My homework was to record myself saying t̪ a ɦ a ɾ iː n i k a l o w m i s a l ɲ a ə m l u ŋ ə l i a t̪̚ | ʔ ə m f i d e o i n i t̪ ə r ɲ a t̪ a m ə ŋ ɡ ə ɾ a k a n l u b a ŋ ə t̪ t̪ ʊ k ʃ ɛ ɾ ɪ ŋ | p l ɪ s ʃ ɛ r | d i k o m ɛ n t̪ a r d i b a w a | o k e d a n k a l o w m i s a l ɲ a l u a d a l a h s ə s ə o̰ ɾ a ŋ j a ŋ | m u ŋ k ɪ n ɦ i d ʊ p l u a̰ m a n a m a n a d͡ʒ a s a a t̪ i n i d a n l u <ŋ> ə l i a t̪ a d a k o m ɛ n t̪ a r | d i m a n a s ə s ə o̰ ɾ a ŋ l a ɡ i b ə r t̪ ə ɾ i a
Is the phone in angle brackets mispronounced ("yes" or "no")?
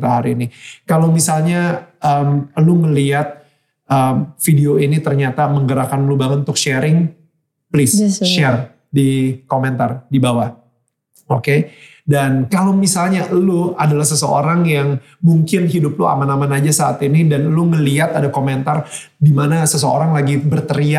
no